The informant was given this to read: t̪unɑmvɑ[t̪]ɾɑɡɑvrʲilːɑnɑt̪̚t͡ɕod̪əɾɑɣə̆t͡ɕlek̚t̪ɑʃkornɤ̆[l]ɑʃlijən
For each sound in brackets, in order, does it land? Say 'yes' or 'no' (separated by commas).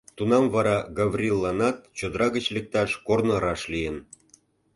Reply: no, no